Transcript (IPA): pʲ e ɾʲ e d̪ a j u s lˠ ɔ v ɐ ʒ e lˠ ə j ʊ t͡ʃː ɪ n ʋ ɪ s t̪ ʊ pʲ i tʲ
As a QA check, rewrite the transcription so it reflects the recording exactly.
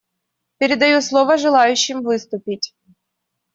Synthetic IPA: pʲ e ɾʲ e d̪ ɐ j u s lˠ ɔ ʋ ɐ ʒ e lˠ ɑ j ʊ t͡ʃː ɪ m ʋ ɪ s t̪ ʊ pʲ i tʲ

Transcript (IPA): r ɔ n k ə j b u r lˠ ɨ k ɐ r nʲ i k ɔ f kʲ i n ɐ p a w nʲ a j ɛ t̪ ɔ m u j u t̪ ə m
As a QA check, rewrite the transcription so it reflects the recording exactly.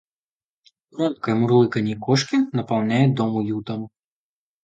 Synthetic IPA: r ɔ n k ɐ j m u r lˠ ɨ k ɐ nʲ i k ɔ ʂ kʲ i n ɐ p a w nʲ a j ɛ d̪ ɔ m u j u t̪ ɐ m

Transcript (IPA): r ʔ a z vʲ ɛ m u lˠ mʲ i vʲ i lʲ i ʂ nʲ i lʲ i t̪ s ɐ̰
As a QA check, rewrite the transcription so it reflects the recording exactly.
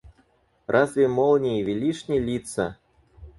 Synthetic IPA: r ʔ a z vʲ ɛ m ɔ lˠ nʲ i vʲ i lʲ i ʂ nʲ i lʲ i t̪ s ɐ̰

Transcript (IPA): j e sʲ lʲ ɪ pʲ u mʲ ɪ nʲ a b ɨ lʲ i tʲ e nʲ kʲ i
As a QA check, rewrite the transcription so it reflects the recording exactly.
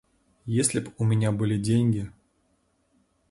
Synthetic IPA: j e sʲ lʲ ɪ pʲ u mʲ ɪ nʲ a b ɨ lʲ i dʲ e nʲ ɡʲ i

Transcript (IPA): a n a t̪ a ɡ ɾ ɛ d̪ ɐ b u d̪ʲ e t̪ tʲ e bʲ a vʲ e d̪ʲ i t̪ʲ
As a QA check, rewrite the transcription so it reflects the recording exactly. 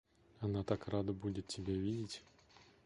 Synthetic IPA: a n a t̪ a k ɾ a d̪ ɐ b u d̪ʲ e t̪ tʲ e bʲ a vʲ i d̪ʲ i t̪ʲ

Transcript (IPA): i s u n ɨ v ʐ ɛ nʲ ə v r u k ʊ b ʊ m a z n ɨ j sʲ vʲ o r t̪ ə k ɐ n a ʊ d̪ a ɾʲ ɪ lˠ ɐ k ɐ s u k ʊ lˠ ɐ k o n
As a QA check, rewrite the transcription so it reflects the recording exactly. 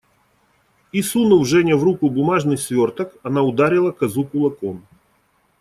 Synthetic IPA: i s u n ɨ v ʐ ɛ nʲ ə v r u k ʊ b ʊ m a ʐ n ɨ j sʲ vʲ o r t̪ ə k ɐ n a ʊ d̪ a ɾʲ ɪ lˠ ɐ k ɐ z u k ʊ lˠ ɐ k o n

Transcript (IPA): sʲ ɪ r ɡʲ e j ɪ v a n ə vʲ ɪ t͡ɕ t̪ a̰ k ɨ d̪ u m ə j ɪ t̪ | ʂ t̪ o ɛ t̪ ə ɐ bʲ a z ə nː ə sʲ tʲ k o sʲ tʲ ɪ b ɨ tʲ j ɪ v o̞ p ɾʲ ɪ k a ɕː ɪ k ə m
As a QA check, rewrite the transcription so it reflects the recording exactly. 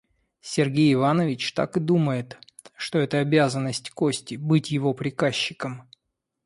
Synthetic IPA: sʲ ɪ r ɡʲ e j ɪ v a n ə vʲ ɪ t͡ɕ t̪ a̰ k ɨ d̪ u m ə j ɪ t̪ | ʂ t̪ o ɛ t̪ ə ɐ bʲ a z ə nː ə sʲ tʲ k o sʲ tʲ ɪ b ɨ tʲ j ɪ v o̞ p ɾʲ ɪ k a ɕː ɪ k ə m

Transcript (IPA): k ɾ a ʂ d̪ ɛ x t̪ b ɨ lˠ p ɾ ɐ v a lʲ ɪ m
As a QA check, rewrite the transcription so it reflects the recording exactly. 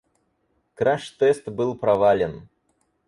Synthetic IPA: k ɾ a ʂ t̪ ɛ s t̪ b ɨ lˠ p ɾ ɐ v a lʲ ɪ n

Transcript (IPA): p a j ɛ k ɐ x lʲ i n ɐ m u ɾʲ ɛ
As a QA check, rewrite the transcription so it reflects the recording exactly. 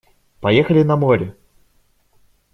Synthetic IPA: p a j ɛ x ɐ lʲ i n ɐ m ɔ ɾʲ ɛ

